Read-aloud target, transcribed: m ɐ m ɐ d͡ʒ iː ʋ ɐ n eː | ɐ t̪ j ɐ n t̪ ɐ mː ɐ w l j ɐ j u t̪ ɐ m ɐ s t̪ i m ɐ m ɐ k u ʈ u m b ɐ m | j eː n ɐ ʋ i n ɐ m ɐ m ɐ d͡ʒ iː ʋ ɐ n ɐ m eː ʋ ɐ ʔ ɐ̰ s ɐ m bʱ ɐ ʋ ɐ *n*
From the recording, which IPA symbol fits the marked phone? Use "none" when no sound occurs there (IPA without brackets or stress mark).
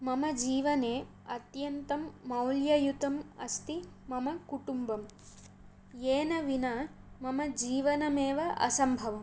m